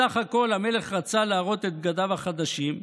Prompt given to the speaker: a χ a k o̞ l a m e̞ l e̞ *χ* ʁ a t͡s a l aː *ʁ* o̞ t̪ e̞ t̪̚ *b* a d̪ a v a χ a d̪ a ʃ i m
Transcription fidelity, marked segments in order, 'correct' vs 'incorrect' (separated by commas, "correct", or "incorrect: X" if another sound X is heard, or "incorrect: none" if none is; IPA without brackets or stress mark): correct, correct, incorrect: ɡ